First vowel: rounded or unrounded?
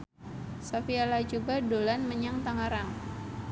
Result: unrounded